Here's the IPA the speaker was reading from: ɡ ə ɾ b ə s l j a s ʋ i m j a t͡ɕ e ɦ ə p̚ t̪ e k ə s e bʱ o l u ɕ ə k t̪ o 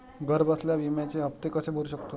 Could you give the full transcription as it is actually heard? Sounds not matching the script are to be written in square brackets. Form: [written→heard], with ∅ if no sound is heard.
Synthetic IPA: ɡ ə ɾ b ə s l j a [s→∅] ʋ i m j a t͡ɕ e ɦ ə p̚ t̪ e k ə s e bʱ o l u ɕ ə k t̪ o